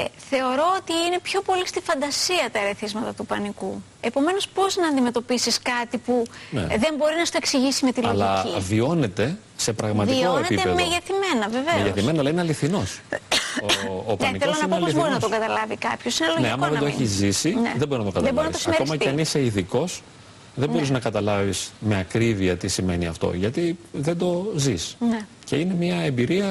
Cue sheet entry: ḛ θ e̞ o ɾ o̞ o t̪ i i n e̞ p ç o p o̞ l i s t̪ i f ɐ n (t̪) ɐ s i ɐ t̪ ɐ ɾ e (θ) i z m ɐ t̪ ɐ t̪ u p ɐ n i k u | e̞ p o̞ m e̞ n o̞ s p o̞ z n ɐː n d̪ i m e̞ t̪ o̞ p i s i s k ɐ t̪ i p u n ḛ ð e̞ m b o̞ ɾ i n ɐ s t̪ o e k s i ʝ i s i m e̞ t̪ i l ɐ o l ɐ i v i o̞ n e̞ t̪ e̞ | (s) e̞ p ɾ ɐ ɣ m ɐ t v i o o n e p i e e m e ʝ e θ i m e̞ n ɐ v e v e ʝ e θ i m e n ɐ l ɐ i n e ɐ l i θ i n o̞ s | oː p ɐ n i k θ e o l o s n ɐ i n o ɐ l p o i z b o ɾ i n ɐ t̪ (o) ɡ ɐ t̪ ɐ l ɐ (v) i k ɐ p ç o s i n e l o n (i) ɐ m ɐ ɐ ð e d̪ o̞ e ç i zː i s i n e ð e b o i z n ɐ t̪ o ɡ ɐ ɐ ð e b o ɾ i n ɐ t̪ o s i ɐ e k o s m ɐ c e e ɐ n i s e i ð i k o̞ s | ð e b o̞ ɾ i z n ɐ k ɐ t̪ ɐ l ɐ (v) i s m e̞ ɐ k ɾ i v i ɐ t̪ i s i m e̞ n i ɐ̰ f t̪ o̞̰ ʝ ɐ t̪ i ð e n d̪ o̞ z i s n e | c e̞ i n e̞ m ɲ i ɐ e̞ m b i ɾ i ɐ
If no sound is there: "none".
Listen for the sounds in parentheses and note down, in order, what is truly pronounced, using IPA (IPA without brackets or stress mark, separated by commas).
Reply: d̪, θ, s, o, v, e, v